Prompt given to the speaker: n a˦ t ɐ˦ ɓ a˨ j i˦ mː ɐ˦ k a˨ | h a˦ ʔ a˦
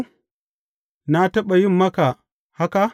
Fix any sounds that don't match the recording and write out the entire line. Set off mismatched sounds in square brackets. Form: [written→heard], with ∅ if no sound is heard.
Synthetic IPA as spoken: n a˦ t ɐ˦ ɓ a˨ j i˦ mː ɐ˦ k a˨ | h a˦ [ʔ→k] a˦

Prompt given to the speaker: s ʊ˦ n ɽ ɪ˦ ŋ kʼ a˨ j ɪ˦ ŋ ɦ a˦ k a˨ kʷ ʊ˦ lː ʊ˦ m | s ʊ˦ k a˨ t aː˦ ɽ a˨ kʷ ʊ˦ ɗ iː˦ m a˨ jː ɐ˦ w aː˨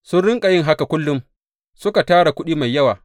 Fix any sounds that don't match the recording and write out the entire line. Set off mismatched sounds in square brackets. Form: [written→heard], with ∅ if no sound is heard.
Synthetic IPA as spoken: s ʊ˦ n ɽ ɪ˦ ŋ kʼ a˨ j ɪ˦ ŋ ɦ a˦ k a˨ kʷ ʊ˦ lː ʊ˦ m | s ʊ˦ k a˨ t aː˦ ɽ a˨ kʷ ʊ˦ ɗ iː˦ m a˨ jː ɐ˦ w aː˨

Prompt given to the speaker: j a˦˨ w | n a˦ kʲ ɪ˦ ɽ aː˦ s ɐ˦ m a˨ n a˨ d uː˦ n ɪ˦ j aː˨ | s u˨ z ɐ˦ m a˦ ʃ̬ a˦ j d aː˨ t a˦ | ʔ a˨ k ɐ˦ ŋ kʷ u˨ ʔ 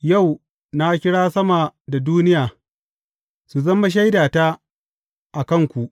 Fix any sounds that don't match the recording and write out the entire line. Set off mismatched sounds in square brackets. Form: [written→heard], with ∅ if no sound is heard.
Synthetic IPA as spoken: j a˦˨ w | n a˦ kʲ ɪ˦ ɽ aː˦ s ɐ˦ m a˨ [n→d] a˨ d uː˦ n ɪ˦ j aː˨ | s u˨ z ɐ˦ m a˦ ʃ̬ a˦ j d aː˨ t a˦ | ʔ a˨ k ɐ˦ ŋ kʷ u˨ ʔ

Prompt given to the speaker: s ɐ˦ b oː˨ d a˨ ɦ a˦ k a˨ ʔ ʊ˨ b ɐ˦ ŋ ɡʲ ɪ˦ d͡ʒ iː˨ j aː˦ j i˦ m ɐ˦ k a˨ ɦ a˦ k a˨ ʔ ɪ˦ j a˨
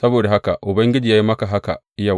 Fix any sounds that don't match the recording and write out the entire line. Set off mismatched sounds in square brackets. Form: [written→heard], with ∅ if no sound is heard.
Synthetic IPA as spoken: s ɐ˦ b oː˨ d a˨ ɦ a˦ k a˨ ʔ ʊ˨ b ɐ˦ ŋ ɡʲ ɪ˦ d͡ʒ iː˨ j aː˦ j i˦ m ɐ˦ k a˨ ɦ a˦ k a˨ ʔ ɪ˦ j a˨

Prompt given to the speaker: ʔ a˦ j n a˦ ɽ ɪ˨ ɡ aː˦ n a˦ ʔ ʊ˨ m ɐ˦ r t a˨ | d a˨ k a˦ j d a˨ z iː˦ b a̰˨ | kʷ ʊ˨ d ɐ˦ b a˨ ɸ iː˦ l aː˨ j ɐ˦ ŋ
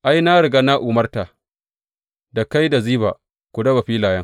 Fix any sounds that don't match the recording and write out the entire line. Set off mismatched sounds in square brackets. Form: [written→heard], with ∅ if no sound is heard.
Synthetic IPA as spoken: ʔ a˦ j n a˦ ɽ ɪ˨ ɡ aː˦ n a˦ ʔ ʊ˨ m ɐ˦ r t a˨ | d a˨ k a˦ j d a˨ z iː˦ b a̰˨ | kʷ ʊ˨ d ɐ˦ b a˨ ɸ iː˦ l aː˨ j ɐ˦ ŋ

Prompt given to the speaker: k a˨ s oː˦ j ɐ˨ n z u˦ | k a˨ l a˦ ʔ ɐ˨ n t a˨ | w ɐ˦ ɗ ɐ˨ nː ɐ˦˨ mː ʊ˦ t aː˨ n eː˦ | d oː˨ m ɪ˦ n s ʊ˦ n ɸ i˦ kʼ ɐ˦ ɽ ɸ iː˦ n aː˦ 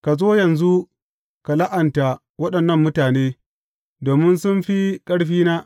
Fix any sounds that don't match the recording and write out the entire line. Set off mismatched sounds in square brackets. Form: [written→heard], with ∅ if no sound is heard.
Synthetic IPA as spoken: k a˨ [s→z] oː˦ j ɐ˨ n z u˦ | k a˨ l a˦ ʔ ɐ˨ n t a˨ | w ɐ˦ ɗ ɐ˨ nː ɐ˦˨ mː ʊ˦ t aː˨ n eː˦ | d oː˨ m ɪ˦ n s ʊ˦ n ɸ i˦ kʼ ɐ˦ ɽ ɸ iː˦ n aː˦

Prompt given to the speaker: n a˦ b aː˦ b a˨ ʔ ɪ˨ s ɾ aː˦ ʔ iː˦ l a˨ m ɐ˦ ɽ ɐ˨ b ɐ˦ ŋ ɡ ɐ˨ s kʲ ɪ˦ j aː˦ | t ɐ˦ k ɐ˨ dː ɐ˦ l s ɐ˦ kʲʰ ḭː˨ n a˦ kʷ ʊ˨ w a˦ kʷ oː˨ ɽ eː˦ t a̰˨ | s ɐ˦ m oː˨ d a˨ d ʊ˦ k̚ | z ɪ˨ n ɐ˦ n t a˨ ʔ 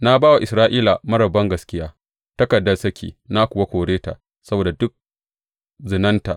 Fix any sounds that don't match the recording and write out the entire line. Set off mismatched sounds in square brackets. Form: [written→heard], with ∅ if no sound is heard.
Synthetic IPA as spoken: n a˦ b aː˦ [b→w] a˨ ʔ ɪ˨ s ɾ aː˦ ʔ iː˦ l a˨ m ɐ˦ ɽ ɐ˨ b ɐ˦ ŋ ɡ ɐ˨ s kʲ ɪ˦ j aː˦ | t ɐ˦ k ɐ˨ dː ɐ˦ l s ɐ˦ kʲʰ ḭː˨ n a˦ kʷ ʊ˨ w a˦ kʷ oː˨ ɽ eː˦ t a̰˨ | s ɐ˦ [m→b] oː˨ d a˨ d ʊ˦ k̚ | z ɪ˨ n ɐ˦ n t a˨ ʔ

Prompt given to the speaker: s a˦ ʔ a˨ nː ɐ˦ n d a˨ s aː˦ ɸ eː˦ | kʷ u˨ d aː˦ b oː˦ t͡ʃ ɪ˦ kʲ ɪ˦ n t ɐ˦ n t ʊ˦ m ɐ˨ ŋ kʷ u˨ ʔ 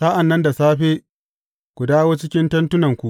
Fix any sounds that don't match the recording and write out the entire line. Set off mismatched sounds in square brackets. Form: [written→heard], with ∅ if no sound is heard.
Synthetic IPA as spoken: s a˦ ʔ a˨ nː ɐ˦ n d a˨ s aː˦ ɸ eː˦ | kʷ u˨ d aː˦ [b→w] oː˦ t͡ʃ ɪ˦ kʲ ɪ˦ n t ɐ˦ n t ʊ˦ [m→n] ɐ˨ ŋ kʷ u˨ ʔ

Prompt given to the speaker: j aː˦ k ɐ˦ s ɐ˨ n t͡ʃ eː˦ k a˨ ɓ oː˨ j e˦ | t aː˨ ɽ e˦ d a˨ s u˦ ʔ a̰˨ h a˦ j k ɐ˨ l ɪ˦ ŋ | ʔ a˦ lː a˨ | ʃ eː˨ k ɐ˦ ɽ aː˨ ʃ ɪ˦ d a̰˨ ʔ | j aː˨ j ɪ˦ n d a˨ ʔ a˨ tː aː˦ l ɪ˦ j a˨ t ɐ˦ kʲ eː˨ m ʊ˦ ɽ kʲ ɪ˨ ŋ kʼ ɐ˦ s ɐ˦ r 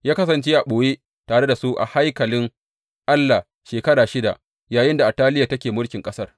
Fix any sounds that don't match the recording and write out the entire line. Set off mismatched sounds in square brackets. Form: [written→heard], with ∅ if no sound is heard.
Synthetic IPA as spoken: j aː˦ k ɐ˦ s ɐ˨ n t͡ʃ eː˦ [k→ʔ] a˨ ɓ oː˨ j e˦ | t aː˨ ɽ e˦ d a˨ s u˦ ʔ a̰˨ h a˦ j k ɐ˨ l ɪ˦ ŋ | ʔ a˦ lː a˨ | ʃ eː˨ k ɐ˦ ɽ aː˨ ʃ ɪ˦ d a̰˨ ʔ | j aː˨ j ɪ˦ n d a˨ ʔ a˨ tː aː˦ l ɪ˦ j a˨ t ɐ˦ kʲ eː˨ m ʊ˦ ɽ kʲ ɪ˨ ŋ kʼ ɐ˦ s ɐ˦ r

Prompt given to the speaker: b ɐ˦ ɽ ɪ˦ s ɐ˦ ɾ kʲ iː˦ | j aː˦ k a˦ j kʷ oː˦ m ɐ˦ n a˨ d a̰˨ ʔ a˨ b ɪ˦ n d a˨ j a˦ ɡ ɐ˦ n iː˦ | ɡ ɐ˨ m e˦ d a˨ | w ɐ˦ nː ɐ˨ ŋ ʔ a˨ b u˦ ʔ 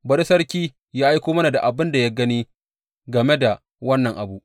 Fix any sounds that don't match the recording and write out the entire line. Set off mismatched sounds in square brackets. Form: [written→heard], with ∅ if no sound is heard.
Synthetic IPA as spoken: b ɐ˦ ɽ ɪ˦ s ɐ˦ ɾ kʲ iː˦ | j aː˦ [k→ʔ] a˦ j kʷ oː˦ m ɐ˦ n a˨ d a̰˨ ʔ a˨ b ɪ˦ n d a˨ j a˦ ɡ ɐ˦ n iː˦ | ɡ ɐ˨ m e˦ d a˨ | w ɐ˦ nː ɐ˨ ŋ ʔ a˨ b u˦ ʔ

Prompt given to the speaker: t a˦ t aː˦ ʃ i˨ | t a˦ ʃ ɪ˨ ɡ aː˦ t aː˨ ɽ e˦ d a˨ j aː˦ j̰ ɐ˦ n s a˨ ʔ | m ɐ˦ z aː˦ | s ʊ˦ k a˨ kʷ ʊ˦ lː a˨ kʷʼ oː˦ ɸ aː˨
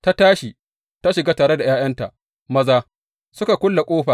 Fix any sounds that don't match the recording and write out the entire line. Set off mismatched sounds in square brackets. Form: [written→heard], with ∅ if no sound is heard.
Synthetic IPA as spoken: t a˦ t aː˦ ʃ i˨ | t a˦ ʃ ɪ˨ ɡ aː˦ t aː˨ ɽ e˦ d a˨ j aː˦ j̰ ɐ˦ n [s→t] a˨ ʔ | m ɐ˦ z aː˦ | s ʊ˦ k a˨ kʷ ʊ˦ lː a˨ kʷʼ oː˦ ɸ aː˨

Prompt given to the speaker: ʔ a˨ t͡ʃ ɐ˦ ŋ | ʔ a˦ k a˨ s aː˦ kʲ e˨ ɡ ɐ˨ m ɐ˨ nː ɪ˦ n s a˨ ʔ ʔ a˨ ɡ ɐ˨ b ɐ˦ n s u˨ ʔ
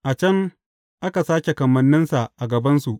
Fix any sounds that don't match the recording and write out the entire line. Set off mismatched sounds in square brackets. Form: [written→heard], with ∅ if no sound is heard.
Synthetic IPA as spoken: ʔ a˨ t͡ʃ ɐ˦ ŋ | ʔ a˦ k a˨ s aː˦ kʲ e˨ [ɡ→k] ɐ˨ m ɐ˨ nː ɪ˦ n s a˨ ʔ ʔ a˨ ɡ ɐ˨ b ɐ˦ n s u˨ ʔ

